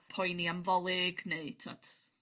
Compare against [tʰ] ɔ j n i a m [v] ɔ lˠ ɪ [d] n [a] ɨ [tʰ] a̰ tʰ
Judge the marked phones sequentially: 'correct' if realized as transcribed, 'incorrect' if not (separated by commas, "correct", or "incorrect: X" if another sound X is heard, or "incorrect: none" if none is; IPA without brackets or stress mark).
incorrect: pʰ, correct, incorrect: ɡ, incorrect: e, correct